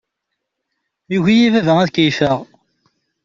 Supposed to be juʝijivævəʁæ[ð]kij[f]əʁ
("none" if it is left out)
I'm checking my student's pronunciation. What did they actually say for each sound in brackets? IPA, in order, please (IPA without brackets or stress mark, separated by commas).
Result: ð, f